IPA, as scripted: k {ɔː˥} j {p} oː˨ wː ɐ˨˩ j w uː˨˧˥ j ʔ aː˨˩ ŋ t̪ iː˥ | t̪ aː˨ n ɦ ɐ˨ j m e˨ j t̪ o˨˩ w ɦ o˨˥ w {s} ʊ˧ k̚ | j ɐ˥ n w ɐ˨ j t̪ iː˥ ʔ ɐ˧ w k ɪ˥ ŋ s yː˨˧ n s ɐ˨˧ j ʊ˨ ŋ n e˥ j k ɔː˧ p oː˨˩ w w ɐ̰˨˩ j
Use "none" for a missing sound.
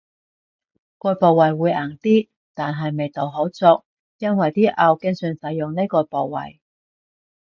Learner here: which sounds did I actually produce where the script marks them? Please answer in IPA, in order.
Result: ɔː˧, p, t͡s

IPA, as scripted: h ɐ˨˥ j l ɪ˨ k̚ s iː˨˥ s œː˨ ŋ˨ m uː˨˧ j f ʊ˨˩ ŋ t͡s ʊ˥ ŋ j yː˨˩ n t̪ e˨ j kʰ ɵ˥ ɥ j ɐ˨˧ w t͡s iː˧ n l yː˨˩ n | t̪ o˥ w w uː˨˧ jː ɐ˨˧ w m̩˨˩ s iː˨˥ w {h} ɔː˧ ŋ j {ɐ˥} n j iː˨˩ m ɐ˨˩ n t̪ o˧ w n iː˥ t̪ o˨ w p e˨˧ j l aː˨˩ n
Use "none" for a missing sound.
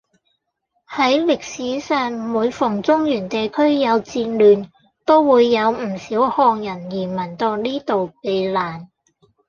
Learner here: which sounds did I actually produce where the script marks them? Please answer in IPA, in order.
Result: h, ɐ˨˩

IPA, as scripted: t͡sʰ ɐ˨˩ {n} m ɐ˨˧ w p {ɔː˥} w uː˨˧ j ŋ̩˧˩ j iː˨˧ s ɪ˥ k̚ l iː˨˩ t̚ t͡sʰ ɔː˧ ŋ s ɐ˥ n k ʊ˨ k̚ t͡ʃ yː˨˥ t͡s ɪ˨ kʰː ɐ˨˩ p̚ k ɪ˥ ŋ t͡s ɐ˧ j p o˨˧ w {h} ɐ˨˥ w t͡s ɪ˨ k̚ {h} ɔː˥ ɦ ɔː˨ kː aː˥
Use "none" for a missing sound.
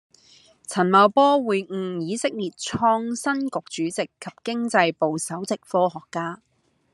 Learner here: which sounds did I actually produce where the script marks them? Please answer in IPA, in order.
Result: n, ɔː˥, s, f

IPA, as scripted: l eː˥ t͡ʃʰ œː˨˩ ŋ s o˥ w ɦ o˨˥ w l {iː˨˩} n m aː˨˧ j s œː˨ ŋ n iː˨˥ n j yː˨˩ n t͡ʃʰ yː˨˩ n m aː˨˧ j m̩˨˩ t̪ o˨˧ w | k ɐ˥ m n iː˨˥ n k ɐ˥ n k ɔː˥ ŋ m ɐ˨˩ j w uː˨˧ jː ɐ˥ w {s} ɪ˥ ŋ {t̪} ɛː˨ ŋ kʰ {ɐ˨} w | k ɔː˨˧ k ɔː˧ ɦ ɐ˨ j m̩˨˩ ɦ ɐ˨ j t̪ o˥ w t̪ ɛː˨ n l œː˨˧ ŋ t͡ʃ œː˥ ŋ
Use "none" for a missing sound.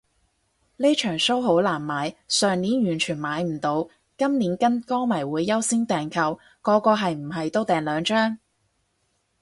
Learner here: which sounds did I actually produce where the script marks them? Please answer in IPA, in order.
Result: aː˨˩, s, t̪, ɐ˨

